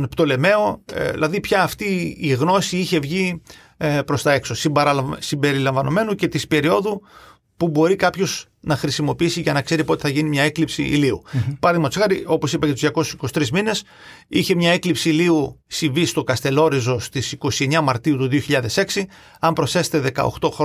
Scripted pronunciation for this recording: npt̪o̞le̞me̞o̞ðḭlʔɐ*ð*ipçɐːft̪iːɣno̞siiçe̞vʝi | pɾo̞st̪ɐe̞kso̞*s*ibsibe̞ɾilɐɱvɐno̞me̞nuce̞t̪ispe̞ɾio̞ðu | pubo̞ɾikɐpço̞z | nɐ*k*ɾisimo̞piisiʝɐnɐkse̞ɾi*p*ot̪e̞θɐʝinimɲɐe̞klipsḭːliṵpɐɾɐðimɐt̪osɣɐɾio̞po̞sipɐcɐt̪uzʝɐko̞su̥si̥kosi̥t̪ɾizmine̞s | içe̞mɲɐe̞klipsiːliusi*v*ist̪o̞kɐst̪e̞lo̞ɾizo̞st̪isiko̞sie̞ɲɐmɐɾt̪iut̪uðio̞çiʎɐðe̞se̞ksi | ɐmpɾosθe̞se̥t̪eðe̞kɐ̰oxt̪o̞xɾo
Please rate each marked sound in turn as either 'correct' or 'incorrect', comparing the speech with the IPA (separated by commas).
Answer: correct, correct, incorrect, correct, correct